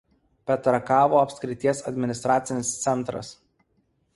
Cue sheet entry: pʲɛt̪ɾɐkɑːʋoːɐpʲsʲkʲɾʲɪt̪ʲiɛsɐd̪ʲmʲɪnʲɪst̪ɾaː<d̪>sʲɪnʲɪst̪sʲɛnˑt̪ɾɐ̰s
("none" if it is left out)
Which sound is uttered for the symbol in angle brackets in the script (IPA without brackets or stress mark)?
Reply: t̪